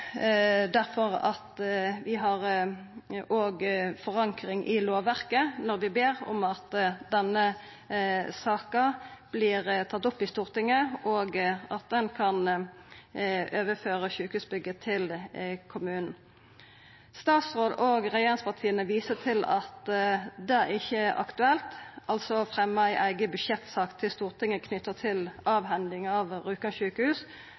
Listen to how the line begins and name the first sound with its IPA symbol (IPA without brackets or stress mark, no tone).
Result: d̪